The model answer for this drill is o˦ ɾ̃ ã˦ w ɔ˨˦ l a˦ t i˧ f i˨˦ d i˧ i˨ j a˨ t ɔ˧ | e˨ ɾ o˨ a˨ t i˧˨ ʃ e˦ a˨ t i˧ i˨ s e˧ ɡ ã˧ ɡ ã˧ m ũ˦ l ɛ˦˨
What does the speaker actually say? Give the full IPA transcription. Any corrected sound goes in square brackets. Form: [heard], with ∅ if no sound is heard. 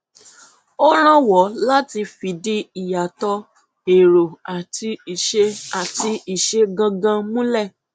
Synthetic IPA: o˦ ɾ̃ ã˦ w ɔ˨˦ l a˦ t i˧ f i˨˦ d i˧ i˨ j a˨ t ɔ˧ | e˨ ɾ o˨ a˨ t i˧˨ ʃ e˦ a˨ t i˧ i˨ [ʃ] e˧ ɡ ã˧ ɡ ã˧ m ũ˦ l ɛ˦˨